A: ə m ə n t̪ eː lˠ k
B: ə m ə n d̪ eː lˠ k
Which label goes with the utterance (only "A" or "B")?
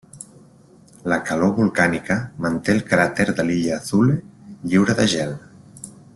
A